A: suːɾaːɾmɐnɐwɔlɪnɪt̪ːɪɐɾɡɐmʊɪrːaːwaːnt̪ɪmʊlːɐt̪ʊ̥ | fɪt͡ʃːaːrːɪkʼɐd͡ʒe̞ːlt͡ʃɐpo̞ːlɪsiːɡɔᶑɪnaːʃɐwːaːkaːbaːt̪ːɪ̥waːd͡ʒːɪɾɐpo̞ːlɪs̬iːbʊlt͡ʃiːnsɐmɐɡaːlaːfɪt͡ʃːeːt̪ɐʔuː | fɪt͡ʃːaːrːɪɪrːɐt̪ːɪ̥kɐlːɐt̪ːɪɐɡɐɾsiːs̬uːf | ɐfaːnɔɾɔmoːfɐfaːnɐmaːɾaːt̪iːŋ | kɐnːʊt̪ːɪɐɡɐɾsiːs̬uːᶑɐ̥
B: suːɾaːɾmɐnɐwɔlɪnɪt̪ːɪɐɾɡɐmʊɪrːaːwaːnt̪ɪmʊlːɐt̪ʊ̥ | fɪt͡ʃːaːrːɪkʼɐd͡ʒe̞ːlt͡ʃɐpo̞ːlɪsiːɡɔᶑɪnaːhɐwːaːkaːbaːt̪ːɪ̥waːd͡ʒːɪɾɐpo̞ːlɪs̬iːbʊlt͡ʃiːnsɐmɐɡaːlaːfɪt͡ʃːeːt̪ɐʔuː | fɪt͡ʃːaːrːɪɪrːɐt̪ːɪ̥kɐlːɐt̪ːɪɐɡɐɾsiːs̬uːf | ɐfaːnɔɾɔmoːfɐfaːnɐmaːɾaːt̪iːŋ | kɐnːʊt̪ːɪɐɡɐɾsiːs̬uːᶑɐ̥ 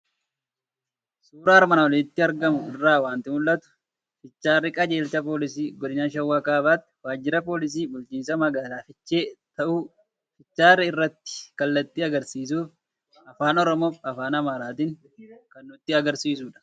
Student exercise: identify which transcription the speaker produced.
A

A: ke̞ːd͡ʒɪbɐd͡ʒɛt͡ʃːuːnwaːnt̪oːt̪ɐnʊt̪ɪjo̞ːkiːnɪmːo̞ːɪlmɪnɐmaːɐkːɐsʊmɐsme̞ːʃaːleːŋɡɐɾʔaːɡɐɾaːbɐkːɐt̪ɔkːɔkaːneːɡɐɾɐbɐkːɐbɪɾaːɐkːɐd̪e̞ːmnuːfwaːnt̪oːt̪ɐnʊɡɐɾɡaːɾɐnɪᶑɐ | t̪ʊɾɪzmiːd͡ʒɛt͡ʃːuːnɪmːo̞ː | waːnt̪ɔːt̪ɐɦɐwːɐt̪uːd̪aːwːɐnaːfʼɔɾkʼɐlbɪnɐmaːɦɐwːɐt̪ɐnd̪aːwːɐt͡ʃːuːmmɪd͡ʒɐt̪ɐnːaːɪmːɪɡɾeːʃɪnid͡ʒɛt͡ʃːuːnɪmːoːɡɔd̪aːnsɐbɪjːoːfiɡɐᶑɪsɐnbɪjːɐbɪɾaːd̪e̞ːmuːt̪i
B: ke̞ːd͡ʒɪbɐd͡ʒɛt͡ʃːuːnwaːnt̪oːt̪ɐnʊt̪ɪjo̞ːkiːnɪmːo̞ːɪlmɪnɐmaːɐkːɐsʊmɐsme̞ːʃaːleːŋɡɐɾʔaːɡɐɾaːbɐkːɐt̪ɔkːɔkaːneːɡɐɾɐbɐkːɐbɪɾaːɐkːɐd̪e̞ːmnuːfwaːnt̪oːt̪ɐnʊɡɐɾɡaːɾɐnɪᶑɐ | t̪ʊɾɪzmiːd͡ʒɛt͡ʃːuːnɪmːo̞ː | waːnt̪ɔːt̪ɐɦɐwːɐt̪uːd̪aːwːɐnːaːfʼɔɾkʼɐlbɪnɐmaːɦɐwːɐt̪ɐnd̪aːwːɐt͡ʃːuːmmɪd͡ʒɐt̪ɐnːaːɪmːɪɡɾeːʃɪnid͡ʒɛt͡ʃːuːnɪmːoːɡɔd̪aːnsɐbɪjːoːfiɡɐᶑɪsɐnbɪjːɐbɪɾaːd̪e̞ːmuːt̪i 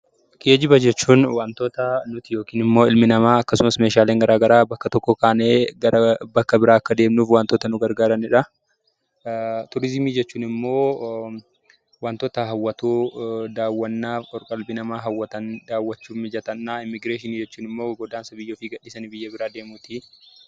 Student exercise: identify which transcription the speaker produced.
B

